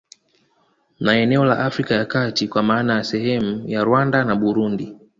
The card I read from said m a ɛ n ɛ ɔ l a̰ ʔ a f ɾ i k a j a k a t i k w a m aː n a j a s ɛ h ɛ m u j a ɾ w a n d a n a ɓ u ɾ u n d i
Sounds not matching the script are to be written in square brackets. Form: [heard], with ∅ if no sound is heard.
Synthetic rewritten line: [n] a ɛ n ɛ ɔ l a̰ ʔ a f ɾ i k a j a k a t i k w a m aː n a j a s ɛ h ɛ m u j a ɾ w a n d a n a ɓ u ɾ u n d i